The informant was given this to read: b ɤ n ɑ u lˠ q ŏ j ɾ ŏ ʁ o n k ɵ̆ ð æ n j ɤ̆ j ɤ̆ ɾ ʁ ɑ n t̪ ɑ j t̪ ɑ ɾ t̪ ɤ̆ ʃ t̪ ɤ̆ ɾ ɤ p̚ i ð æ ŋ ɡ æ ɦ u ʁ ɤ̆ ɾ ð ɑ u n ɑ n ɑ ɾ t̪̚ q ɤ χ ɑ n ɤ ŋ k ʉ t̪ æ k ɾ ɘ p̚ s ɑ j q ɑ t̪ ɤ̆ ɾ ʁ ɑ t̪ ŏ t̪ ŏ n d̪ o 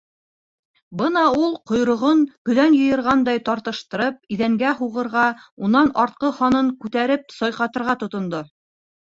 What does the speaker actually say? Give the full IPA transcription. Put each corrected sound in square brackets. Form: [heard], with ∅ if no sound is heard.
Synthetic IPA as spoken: b ɤ n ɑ u lˠ q ŏ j ɾ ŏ ʁ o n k ɵ̆ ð æ n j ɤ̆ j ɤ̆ ɾ ʁ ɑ n [d̪] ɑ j t̪ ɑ ɾ t̪ ɤ̆ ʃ t̪ ɤ̆ ɾ ɤ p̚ i ð æ ŋ ɡ æ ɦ u ʁ ɤ̆ ɾ [ʁ] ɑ u n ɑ n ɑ ɾ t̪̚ q ɤ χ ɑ n ɤ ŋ k ʉ t̪ æ [∅] ɾ ɘ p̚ s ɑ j q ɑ t̪ ɤ̆ ɾ ʁ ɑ t̪ ŏ t̪ ŏ n d̪ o